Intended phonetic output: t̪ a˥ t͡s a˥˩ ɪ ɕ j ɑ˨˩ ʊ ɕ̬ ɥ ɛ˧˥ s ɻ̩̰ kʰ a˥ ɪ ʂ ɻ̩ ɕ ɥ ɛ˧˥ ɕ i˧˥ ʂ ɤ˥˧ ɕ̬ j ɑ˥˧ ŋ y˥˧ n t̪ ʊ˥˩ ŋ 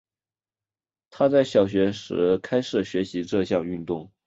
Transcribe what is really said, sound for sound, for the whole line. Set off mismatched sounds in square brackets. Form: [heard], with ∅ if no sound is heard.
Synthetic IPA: [t̪ʰ] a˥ t͡s a˥˩ ɪ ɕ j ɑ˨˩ ʊ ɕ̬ ɥ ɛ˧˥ [ʂ] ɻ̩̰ kʰ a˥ ɪ ʂ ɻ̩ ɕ ɥ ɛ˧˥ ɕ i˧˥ [ʈ͡ʂ] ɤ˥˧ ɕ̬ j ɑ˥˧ ŋ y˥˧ n t̪ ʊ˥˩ ŋ